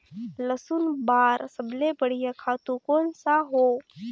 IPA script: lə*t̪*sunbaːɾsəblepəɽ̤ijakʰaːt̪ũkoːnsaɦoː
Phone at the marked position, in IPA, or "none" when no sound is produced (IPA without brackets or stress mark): none